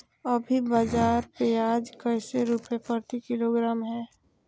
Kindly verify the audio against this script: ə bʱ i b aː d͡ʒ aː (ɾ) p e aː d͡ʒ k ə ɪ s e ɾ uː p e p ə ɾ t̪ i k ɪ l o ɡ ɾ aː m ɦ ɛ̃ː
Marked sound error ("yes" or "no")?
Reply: no